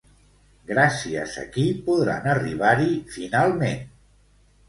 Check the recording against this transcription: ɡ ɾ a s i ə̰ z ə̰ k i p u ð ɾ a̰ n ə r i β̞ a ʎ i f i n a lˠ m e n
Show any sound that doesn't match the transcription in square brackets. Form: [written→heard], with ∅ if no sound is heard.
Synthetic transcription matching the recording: ɡ ɾ a s i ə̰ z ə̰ k i p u ð ɾ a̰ n ə r i β̞ a [ʎ→ɾ] i f i n a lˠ m e n